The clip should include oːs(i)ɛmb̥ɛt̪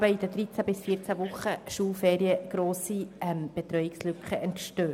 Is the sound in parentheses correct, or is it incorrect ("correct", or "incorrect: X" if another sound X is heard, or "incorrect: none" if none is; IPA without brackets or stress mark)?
correct